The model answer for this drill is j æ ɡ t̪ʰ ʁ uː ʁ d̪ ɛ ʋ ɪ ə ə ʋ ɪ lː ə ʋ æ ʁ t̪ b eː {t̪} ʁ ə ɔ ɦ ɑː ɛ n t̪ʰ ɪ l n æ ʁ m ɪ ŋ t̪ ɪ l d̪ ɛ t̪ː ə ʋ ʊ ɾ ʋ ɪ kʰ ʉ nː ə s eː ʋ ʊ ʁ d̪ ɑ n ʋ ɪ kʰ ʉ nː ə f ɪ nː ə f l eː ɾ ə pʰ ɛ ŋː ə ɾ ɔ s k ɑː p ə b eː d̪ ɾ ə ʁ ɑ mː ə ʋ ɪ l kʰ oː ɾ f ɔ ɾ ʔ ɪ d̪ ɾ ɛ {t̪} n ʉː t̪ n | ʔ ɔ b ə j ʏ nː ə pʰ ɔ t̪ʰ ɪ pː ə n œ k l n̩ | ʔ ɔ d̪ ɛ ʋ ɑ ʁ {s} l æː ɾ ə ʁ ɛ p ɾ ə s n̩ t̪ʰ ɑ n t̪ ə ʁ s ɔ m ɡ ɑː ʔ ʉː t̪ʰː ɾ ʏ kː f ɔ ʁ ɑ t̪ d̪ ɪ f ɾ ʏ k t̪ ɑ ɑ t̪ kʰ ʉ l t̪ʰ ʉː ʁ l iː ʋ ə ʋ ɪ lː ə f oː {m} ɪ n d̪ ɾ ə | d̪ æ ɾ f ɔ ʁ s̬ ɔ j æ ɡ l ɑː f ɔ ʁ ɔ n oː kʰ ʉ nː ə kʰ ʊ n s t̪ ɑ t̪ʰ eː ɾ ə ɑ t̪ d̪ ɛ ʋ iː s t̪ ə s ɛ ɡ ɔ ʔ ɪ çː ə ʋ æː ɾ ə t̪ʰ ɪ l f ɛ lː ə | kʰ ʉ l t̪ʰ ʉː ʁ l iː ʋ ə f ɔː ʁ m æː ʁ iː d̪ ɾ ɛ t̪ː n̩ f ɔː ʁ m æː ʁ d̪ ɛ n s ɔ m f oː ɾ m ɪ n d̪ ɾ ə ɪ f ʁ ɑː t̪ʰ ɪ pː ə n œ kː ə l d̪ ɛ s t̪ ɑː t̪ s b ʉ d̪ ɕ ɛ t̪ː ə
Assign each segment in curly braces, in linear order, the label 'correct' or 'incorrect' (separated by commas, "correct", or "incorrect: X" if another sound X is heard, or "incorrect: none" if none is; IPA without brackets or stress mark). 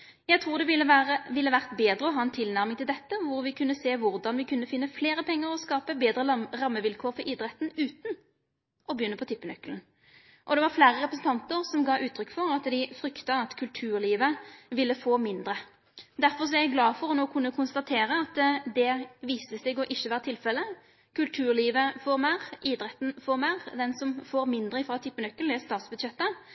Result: incorrect: d̪, correct, incorrect: f, correct